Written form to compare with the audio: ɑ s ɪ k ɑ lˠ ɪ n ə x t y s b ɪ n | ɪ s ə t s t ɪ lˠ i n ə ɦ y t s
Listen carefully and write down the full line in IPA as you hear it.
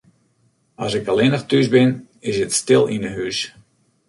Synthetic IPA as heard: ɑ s ɪ k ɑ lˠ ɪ n ə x t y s b ɪ n | ɪ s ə t s t ɪ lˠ i n ə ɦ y s